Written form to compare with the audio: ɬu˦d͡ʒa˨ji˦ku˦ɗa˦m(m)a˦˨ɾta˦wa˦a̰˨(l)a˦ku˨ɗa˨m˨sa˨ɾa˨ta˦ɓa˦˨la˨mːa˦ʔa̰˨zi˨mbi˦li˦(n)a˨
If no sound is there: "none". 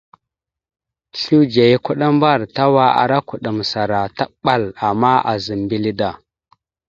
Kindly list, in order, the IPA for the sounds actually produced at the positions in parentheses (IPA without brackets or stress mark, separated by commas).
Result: b, ɾ, d